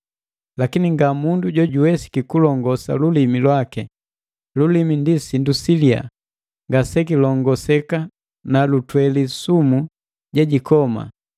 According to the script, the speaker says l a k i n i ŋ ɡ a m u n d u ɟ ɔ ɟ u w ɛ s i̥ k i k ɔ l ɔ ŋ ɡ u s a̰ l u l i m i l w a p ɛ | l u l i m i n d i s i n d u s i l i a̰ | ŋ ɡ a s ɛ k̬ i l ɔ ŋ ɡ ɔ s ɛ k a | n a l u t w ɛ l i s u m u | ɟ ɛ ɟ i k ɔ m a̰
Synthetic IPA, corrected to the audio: l a k i n i ŋ ɡ a m u n d u ɟ ɔ ɟ u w ɛ s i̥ k i k u l ɔ ŋ ɡ ɔ s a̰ l u l i m i l w a k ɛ | l u l i m i n d i s i n d u s i l i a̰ | ŋ ɡ a s ɛ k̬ i l ɔ ŋ ɡ ɔ s ɛ k a | n a l u t w ɛ l i s u m u | ɟ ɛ ɟ i k ɔ m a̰